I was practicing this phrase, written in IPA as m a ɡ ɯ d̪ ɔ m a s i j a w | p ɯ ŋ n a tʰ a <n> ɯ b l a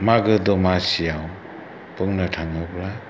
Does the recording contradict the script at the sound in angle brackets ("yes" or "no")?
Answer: yes